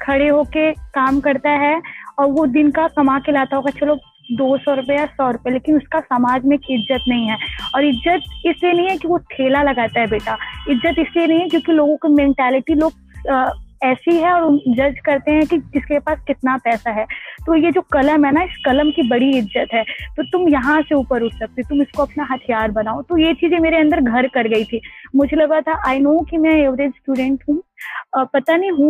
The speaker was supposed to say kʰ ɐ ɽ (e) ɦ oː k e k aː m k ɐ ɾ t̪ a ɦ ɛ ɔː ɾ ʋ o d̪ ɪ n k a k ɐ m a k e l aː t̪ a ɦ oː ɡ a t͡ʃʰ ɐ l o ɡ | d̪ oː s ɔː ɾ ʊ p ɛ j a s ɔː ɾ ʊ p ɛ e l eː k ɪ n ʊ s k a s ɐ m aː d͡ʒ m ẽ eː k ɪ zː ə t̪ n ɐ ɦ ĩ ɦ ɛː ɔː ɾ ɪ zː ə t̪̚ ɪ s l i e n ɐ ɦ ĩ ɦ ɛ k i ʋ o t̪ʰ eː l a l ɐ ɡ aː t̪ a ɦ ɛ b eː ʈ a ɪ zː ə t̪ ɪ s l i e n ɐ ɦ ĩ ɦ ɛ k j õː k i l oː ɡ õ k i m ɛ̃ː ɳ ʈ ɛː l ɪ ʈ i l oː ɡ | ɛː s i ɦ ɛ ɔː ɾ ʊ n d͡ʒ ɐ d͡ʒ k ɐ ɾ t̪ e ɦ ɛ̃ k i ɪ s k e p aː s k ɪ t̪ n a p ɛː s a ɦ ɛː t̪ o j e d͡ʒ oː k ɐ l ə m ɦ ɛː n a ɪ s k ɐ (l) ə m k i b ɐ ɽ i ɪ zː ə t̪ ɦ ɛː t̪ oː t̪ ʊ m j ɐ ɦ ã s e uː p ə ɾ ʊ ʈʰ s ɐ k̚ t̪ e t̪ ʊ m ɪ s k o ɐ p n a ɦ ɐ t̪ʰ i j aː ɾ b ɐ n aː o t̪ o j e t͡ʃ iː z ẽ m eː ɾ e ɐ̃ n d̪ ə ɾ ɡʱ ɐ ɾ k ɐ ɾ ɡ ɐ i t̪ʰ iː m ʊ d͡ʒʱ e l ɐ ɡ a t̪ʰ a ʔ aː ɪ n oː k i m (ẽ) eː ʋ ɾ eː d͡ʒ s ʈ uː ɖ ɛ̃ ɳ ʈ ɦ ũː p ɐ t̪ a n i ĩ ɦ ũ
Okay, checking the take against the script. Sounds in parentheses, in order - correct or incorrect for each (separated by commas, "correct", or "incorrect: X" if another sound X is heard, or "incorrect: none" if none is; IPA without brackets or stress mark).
correct, correct, incorrect: ɛ̃